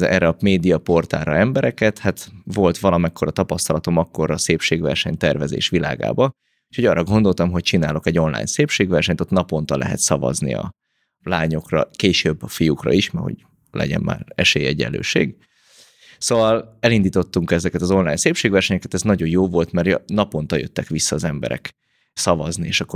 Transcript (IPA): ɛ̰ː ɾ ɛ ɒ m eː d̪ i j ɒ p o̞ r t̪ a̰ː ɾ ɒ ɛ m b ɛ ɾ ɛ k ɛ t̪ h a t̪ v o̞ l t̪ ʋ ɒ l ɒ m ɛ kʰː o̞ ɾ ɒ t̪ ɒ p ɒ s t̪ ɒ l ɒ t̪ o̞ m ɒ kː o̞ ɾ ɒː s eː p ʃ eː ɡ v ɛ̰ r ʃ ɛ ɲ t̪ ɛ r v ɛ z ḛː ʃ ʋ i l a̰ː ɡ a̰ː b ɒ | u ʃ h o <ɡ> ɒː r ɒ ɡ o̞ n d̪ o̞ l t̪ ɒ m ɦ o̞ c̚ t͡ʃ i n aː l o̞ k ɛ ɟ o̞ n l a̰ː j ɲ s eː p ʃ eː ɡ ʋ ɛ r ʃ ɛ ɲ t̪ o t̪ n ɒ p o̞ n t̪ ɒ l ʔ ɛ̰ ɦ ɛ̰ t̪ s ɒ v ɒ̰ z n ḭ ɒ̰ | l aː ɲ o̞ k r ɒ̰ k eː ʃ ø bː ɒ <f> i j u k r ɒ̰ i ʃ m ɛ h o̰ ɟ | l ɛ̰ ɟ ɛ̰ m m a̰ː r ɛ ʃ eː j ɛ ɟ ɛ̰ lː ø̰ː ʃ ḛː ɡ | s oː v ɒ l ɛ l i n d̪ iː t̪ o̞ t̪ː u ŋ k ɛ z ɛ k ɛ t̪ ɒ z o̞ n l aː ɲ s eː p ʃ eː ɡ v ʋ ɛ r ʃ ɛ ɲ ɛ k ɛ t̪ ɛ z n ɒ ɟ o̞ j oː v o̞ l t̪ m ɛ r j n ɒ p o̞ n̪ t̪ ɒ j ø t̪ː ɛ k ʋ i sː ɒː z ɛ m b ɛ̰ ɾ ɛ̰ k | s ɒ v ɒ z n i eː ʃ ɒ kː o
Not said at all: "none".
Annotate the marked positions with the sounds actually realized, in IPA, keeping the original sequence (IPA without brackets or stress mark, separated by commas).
ɟ, f